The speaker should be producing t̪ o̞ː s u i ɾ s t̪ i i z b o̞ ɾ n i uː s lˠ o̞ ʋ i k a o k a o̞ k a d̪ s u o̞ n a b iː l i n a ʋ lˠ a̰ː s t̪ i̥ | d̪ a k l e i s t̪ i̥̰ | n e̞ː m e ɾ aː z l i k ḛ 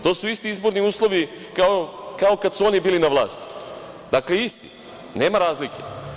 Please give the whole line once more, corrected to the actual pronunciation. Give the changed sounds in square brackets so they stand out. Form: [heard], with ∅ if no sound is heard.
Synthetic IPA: t̪ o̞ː s u i [∅] s t̪ i i z b o̞ ɾ n i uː s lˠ o̞ ʋ i k a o k a o̞ k a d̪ s u o̞ n [i] b iː l i n a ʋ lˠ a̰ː s t̪ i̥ | d̪ a k l e i s t̪ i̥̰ | n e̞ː m [a] ɾ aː z l i k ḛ